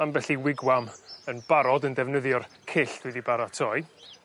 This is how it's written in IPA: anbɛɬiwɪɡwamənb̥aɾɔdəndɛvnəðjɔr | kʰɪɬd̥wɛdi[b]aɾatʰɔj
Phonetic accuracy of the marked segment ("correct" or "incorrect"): correct